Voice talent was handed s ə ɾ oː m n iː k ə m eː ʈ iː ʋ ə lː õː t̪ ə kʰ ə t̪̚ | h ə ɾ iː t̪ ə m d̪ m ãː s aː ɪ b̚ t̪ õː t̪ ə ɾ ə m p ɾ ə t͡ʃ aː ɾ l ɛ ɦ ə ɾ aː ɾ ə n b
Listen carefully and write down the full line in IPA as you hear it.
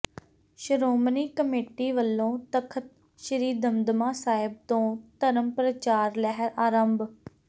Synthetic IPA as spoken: ʃ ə ɾ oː m n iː k ə m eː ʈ iː ʋ ə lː õː t̪ ə kʰ ə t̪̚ | ʃ ə ɾ iː d̪ ə m d̪ m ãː s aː ɪ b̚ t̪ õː t̪ ə ɾ ə m p ɾ ə t͡ʃ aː ɾ l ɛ ɦ ə ɾ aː ɾ ə m b